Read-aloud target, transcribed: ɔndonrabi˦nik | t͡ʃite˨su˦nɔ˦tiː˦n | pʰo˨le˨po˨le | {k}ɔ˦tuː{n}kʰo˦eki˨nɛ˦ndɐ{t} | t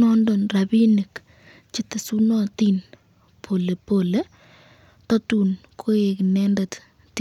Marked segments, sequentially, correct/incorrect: incorrect, correct, correct

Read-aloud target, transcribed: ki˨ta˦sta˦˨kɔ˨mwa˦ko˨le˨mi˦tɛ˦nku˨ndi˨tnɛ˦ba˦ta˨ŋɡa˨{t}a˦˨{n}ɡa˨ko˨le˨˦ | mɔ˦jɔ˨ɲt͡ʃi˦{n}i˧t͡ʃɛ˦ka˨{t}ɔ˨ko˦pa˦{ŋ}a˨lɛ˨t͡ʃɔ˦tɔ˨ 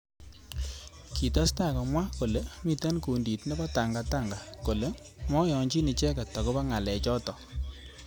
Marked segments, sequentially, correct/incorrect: correct, incorrect, correct, correct, correct

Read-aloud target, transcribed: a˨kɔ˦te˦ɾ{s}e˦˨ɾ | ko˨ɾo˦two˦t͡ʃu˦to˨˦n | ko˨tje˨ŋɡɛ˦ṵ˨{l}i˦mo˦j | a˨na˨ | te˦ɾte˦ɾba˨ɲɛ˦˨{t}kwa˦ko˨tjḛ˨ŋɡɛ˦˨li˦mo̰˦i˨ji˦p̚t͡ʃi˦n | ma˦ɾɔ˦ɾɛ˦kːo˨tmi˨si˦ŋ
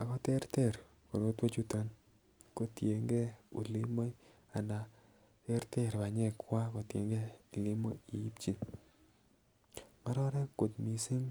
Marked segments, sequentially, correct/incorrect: incorrect, correct, incorrect

